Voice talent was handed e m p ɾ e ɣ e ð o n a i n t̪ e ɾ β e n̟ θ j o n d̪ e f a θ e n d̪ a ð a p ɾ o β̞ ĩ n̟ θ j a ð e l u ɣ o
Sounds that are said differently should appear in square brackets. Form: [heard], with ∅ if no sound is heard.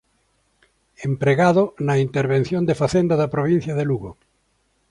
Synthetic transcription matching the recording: e m p ɾ e ɣ [a] ð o n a i n t̪ e ɾ β e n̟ θ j o n d̪ e f a θ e n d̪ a ð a p ɾ o β̞ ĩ n̟ θ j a ð e l u ɣ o